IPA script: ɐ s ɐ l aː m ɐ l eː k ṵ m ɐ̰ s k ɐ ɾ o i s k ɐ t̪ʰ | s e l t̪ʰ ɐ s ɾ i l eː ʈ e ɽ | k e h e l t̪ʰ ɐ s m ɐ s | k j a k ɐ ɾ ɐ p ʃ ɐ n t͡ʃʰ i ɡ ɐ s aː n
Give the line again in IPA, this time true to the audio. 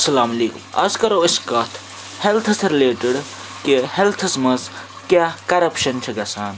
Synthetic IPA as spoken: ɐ s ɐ l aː m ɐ l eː k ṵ m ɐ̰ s k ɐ ɾ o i s k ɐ t̪ʰ | h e l t̪ʰ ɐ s ɾ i l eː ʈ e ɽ | k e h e l t̪ʰ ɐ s m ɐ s | k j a k ɐ ɾ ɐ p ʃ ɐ n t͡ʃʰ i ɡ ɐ s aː n